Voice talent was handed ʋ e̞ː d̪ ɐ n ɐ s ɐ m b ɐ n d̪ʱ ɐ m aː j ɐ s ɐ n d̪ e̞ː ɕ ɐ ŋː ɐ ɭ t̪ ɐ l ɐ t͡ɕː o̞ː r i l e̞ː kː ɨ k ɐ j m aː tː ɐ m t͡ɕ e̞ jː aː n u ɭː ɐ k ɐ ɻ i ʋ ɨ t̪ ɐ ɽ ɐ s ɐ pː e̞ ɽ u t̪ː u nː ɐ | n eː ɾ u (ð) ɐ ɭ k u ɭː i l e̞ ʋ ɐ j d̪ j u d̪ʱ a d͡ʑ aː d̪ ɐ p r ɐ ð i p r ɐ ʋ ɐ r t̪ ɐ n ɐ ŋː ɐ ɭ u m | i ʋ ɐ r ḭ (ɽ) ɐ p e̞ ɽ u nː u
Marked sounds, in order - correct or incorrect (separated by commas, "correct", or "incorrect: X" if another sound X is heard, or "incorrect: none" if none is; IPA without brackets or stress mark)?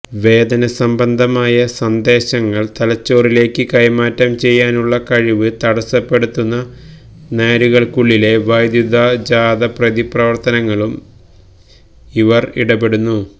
incorrect: ɣ, correct